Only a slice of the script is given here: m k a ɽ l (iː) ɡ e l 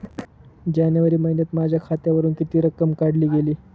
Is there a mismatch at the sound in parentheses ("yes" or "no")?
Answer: no